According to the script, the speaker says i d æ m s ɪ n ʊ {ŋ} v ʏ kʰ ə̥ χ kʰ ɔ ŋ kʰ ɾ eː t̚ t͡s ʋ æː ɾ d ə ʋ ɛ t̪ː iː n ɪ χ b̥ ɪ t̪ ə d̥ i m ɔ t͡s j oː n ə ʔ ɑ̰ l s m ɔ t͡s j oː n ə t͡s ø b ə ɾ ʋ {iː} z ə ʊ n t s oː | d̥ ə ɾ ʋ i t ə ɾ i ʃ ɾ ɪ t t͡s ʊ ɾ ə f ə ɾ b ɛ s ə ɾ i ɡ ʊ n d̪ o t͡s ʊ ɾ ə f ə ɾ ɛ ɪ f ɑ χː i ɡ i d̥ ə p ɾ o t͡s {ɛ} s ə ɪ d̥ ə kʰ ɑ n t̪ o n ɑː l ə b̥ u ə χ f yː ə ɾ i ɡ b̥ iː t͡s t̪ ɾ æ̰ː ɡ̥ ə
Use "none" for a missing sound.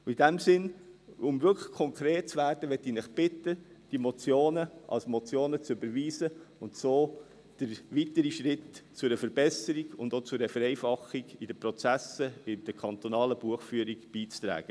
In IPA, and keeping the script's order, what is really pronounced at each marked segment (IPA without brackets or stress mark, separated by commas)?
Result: m, iː, æ